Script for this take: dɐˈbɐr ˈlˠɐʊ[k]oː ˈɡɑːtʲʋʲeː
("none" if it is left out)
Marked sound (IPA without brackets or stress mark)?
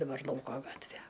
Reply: k